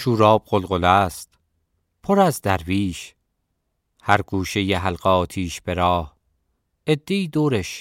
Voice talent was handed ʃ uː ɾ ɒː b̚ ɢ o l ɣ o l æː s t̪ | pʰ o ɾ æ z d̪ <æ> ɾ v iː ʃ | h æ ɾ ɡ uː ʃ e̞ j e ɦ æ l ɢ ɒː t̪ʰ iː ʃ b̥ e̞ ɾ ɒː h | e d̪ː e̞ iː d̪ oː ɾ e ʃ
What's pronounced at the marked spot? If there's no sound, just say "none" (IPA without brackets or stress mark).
æ